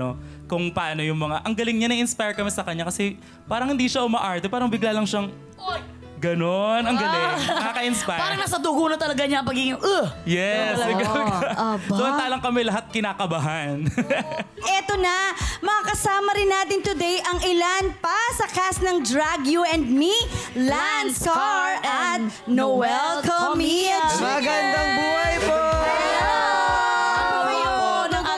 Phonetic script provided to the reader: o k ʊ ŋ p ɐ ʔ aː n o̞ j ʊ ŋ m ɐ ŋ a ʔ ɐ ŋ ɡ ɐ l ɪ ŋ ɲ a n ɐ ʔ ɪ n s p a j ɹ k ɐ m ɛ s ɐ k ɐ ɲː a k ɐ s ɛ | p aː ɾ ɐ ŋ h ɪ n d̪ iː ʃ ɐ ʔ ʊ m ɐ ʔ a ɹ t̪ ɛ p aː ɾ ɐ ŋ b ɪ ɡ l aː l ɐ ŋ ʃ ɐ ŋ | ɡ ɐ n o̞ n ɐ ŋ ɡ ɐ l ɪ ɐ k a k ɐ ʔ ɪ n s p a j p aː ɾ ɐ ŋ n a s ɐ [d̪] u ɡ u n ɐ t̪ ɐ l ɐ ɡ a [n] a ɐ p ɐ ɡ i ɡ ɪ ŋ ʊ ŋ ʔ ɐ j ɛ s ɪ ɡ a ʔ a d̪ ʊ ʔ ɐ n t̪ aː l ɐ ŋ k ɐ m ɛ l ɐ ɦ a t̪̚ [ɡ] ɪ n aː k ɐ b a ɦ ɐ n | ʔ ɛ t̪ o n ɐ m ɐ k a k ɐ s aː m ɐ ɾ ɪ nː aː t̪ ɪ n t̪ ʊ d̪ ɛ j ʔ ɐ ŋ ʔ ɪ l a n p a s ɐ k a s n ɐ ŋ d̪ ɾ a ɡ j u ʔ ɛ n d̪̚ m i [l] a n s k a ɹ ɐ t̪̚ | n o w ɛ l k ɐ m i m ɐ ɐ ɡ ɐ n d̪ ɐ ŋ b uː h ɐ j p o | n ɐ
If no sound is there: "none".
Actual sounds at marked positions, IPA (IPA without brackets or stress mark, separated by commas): d̪, ɲ, k, l